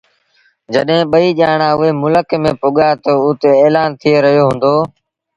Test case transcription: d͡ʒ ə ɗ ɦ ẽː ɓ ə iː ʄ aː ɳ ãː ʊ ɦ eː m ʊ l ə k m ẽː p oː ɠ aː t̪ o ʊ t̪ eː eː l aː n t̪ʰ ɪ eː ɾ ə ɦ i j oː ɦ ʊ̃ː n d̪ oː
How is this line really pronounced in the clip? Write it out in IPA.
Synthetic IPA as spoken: d͡ʒ ə ɗ ɦ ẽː ɓ ə iː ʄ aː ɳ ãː ʊ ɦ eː m ʊ l ə k m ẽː p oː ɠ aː t̪ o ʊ t̪ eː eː l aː n t̪ʰ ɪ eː ɾ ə ɦ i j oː ɦ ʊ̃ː n d̪ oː

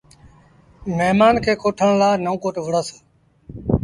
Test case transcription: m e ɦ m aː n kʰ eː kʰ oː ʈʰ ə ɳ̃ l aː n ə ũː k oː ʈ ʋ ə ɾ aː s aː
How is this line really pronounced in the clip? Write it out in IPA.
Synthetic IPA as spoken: m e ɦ m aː n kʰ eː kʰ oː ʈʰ ə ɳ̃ l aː n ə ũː k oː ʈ ʋ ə ɽ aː s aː

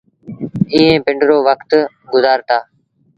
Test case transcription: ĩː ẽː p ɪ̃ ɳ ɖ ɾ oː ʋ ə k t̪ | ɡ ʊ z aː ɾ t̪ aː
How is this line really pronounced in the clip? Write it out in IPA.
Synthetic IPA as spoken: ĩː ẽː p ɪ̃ ɳ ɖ ɾ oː ʋ ə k t̪ | ɡ ʊ z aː ɾ t̪ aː

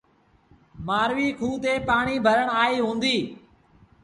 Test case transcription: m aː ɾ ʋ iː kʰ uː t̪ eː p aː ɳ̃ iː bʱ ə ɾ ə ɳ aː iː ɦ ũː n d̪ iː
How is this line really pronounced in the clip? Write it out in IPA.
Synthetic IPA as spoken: m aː ɾ ʋ iː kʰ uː t̪ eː p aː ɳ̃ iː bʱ ə ɾ ə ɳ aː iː ɦ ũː n d̪ iː

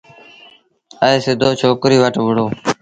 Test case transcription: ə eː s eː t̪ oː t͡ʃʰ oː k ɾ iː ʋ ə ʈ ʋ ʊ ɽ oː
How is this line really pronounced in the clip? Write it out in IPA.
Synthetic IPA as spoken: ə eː s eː d̪ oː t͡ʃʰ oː k ɾ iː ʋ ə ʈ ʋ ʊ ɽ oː

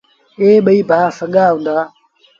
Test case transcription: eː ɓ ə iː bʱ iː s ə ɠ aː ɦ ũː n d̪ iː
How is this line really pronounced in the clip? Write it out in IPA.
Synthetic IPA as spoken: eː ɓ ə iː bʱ aː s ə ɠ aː ɦ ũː n d̪ aː

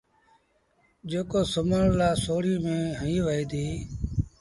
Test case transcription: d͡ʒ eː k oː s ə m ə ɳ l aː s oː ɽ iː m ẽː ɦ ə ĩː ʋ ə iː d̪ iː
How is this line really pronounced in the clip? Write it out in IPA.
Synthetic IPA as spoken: d͡ʒ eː k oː s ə m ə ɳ l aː s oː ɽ iː m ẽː ɦ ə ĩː ʋ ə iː d̪ iː

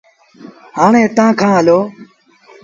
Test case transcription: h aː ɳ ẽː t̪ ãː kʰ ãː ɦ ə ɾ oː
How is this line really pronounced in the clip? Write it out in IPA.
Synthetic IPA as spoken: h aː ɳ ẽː t̪ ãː kʰ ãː ɦ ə l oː

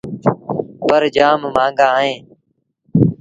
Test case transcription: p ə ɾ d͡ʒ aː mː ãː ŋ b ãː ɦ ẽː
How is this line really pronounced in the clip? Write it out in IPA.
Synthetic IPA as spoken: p ə ɾ d͡ʒ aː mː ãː ŋ ɡ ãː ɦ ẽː

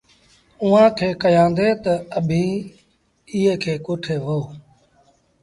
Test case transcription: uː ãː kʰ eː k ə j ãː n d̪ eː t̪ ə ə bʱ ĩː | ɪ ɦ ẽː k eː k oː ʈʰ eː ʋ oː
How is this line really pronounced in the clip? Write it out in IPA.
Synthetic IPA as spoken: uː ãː kʰ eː k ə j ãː n d̪ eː t̪ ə ə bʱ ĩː | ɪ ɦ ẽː kʰ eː k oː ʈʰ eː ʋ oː

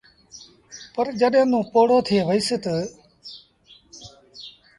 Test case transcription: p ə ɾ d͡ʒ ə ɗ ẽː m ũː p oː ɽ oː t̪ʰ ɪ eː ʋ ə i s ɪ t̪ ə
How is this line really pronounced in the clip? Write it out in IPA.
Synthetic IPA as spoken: p ə ɾ d͡ʒ ə ɗ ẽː n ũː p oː ɽ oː t̪ʰ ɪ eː ʋ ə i s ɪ t̪ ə

